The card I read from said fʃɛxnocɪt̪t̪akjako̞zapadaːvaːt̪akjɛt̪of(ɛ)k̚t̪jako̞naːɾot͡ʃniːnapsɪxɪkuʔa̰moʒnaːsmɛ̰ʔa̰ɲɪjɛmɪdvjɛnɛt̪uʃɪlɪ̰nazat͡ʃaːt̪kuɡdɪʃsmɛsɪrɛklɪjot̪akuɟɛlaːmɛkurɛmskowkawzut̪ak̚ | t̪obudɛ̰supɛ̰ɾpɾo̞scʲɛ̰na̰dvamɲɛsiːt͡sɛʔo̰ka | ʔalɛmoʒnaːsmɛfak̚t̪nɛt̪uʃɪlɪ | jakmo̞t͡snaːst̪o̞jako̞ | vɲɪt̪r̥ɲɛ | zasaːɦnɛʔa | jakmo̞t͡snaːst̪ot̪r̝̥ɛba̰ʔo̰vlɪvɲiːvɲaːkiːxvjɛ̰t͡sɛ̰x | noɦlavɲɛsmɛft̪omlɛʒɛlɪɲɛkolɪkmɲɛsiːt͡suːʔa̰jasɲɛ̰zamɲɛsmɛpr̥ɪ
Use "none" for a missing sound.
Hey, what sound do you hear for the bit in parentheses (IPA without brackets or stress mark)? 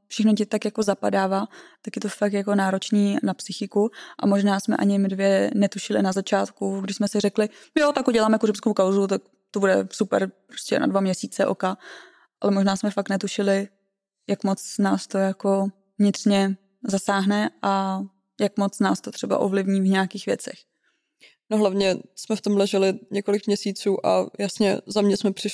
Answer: a